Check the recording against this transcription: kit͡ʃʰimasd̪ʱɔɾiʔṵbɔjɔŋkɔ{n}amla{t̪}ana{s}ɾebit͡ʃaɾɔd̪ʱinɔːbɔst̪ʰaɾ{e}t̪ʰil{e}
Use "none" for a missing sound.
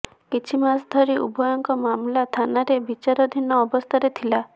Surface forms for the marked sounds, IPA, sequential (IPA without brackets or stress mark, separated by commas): m, t̪ʰ, none, e, a